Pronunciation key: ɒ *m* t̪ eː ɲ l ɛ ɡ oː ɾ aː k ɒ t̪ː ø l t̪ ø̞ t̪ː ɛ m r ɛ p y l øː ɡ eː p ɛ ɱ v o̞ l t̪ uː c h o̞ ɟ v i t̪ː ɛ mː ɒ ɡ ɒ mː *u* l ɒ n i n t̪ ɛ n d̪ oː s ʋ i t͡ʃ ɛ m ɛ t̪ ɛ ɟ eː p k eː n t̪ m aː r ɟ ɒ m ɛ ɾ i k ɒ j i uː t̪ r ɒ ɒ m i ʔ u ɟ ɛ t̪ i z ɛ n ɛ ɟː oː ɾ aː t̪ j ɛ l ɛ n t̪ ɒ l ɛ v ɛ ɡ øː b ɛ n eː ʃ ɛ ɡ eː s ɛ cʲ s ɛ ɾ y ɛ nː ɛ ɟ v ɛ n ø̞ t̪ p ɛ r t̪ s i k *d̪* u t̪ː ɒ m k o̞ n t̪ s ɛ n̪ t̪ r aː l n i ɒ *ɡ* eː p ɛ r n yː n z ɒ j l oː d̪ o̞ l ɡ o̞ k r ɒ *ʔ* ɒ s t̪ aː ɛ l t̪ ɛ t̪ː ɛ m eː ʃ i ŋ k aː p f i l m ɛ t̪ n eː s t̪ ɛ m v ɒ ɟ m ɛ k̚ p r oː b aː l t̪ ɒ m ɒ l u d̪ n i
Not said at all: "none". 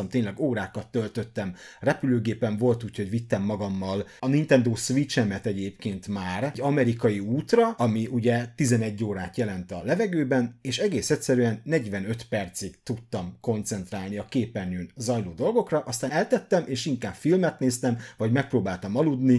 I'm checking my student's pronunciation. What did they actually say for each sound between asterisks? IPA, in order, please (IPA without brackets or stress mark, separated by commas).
m, ɒ, t̪, k, ʔ